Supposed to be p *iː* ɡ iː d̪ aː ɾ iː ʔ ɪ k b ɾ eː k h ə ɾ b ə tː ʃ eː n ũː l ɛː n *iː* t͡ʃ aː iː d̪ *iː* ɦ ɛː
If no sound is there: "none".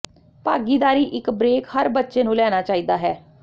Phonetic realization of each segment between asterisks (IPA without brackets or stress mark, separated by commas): aː, aː, aː